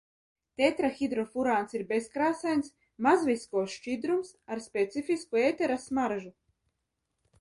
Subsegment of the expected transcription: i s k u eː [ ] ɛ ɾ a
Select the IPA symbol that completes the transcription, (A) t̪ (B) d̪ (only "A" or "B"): A